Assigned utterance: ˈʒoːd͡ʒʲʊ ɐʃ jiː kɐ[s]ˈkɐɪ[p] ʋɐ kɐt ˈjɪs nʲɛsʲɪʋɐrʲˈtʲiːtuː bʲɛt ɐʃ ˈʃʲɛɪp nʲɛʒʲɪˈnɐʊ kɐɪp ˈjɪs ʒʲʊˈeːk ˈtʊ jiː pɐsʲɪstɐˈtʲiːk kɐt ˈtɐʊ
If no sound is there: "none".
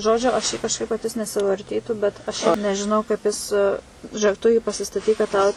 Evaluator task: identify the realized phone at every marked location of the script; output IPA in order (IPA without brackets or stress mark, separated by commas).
ʃ, p